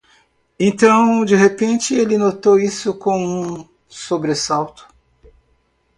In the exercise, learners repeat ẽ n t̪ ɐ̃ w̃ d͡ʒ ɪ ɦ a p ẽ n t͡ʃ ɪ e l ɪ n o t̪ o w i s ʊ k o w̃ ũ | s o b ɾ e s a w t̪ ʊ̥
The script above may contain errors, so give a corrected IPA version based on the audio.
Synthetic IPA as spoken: ẽ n t̪ ɐ̃ w̃ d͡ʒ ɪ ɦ e p ẽ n t͡ʃ ɪ e l ɪ n o t̪ o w i s ʊ k õ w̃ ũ | s o b ɾ e s a w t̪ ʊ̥